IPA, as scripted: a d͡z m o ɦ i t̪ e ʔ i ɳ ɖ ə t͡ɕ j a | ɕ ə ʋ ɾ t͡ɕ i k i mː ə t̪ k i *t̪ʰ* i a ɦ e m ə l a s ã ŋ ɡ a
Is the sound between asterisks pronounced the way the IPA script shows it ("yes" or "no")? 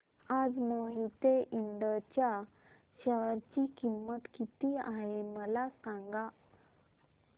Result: no